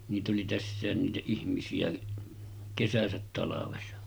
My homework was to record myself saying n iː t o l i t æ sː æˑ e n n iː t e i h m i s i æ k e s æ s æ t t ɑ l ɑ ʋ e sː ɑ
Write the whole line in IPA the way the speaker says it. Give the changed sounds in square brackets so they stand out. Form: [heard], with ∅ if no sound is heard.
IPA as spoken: n iː t o l i t æ sː æˑ e n n iː t [æ] i h m i s i æ k e s æ s æ t t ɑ l ɑ ʋ e [s] ɑ

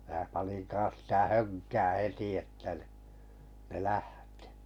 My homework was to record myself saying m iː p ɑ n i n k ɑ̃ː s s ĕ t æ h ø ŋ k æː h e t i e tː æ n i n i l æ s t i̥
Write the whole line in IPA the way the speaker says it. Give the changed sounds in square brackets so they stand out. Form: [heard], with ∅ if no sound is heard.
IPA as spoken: m [æː] p ɑ n i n k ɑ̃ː s s [ĭ] t æ h ø ŋ k æː h e t i e tː æ n i n [e] l æ [h] t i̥

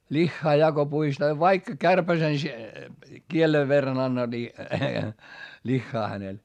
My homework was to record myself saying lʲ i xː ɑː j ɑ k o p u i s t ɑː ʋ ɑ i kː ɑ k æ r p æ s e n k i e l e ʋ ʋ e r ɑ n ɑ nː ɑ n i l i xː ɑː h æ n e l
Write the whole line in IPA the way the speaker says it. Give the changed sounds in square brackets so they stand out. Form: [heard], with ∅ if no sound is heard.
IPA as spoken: lʲ i xː ɑː j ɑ k o p u i s t ɑː ʋ ɑ i kː ɑ k æ r p æ s e n k i e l e ʋ ʋ e [rː] ɑ n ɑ nː ɑ n i l i xː ɑː h æ n e l

